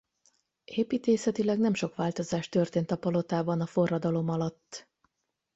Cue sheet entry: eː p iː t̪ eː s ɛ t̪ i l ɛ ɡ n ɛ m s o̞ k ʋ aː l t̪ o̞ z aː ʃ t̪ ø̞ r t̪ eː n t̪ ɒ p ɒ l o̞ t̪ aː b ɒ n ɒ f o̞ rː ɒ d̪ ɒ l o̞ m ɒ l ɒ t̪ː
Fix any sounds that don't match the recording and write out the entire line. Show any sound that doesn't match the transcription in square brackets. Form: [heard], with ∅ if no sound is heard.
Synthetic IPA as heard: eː p iː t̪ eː s ɛ t̪ i l ɛ ɡ n ɛ m [ʃ] o̞ k ʋ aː l t̪ o̞ z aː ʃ t̪ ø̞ r t̪ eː n t̪ ɒ p ɒ l o̞ t̪ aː b ɒ n ɒ f o̞ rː ɒ d̪ ɒ l o̞ m ɒ l ɒ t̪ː

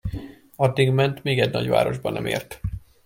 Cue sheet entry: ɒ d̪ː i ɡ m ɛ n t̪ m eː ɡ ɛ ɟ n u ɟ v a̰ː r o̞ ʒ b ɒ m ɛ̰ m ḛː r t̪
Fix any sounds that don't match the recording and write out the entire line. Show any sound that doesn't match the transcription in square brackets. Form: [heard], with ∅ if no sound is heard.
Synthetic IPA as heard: ɒ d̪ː i ɡ m ɛ n t̪ m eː ɡ ɛ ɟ n [ɒ] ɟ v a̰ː [ɾ] o̞ ʒ b ɒ [n] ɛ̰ m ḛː r t̪

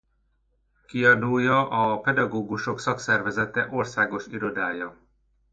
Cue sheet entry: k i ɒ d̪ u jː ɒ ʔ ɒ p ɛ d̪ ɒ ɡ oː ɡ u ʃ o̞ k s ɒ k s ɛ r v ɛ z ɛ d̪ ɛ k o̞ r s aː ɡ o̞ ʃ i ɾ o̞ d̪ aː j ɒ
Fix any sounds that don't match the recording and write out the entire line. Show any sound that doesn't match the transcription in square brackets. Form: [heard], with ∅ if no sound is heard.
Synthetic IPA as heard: k i ɒ d̪ u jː ɒ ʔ ɒ p ɛ d̪ ɒ ɡ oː ɡ u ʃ o̞ k s ɒ k s ɛ r v ɛ z ɛ [t̪] ɛ [ʔ] o̞ r s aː ɡ o̞ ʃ i ɾ o̞ d̪ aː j ɒ

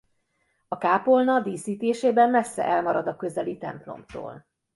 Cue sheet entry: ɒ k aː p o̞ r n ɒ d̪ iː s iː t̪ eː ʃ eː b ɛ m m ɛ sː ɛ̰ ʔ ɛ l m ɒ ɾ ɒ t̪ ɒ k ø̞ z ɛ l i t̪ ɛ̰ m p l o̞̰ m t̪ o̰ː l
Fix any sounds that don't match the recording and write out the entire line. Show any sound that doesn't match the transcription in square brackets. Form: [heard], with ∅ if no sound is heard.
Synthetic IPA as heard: ɒ k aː p o̞ [l] n ɒ d̪ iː s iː t̪ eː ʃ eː b ɛ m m ɛ sː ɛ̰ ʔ ɛ l m ɒ ɾ ɒ [d̪] ɒ k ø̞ z ɛ l i t̪ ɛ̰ m p l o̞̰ m t̪ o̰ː l

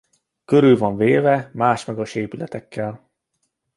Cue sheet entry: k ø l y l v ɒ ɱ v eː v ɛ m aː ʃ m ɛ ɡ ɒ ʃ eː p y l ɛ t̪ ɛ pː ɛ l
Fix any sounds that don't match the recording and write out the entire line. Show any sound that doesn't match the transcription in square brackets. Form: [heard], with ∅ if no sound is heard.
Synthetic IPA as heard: k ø [ɾ] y l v ɒ ɱ v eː v ɛ m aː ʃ m ɛ ɡ ɒ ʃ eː p y l ɛ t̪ ɛ [kː] ɛ l

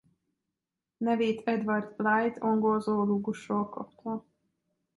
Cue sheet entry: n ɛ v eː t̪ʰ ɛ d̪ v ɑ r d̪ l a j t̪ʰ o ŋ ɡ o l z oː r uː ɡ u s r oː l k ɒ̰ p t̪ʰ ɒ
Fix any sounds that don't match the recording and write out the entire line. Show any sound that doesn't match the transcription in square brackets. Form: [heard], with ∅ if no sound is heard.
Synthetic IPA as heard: n ɛ v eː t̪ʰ ɛ d̪ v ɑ r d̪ l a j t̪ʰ o ŋ ɡ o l z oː [l] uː ɡ u [ʃ] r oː l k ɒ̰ p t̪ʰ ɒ

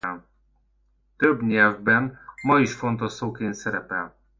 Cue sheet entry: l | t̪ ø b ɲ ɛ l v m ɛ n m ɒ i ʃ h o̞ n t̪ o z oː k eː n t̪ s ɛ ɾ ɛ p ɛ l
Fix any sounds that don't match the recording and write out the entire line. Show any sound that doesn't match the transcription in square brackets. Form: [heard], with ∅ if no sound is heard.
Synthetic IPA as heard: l | t̪ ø b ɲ ɛ l v [b] ɛ n m ɒ i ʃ [f] o̞ n t̪ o [s] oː k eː n t̪ s ɛ ɾ ɛ p ɛ l

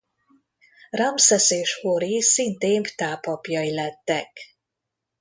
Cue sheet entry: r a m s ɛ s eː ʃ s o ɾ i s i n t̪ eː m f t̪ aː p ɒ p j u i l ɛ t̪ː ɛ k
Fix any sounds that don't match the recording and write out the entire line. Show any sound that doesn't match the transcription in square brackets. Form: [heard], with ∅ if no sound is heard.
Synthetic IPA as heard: r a m s ɛ s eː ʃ [h] o ɾ i s i n t̪ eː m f t̪ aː p ɒ p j [ɒ] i l ɛ t̪ː ɛ k

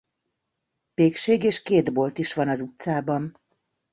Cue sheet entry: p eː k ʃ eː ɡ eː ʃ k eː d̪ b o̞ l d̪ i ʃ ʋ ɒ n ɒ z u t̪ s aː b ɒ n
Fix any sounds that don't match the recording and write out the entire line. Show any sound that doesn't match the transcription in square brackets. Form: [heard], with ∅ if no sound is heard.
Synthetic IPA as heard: p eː k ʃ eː ɡ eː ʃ k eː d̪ b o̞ l [t̪] i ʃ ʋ ɒ n ɒ z u t̪ s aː b ɒ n

